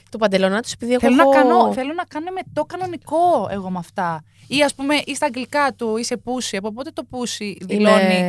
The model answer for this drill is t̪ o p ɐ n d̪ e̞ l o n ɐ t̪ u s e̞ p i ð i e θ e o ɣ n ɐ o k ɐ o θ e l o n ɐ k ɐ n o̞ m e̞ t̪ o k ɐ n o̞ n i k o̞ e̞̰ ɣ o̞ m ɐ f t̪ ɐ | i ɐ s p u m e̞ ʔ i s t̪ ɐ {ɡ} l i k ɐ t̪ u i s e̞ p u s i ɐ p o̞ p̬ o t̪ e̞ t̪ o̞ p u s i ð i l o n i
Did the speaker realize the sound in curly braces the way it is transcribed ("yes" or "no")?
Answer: yes